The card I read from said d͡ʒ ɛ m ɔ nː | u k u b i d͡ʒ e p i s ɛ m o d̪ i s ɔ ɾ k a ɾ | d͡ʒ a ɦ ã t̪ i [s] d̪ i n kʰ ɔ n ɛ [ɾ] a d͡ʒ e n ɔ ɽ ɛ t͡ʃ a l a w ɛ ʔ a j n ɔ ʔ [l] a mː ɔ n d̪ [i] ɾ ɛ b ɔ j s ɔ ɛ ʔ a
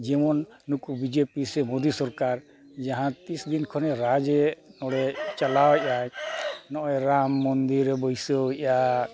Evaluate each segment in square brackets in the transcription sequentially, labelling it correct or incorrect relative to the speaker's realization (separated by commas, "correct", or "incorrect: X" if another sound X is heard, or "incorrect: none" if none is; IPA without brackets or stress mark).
correct, correct, incorrect: ɾ, correct